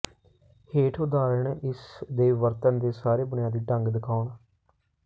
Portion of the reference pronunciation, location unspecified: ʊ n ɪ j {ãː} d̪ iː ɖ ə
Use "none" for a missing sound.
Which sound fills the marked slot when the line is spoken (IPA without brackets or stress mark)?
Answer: aː